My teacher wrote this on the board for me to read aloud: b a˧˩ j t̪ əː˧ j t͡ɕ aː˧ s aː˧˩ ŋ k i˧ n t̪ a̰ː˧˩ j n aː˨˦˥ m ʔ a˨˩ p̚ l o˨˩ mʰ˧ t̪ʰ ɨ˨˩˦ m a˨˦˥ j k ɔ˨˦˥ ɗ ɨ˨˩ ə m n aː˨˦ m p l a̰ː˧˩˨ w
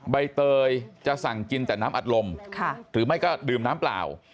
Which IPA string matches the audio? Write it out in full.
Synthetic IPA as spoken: ɓ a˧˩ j t̪ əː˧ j t͡ɕ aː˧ s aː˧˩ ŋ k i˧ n t̪ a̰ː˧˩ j n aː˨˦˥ m ʔ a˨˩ t̚ l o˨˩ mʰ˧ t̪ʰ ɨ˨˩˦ m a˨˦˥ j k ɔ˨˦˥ ɗ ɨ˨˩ ə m n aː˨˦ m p l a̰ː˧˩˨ w